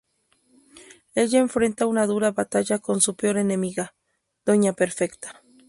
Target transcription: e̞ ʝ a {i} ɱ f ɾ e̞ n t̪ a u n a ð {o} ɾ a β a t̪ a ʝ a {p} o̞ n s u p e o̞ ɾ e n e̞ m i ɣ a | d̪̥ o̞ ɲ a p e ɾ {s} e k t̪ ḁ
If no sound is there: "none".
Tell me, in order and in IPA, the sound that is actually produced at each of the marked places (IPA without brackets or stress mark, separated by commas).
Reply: e, u, k, f